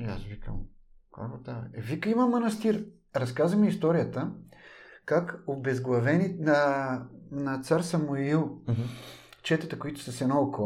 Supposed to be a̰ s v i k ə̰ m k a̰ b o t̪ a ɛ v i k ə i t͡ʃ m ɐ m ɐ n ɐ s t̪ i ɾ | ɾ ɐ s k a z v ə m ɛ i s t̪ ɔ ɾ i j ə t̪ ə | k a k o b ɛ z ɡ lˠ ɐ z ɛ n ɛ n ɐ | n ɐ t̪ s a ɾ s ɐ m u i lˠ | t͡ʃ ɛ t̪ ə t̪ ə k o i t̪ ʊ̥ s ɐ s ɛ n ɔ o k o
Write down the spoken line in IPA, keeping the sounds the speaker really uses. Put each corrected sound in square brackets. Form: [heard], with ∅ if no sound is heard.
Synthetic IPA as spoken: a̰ s v i k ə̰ m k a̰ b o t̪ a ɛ v i k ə i [∅] m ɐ m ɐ n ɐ s t̪ i ɾ | ɾ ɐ s k a z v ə m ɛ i s t̪ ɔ ɾ i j ə t̪ ə | k a k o b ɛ z ɡ lˠ ɐ [v] ɛ n [i] n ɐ | n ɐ t̪ s a ɾ s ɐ m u i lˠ | t͡ʃ ɛ t̪ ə t̪ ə k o i t̪ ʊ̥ s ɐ s ɛ n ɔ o k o